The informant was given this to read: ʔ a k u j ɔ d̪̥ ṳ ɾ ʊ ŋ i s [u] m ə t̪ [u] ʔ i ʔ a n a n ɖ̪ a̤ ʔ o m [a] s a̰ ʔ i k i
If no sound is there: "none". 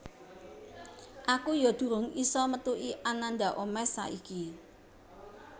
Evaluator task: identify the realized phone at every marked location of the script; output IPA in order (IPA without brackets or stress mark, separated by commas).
ɔ, u, ɛ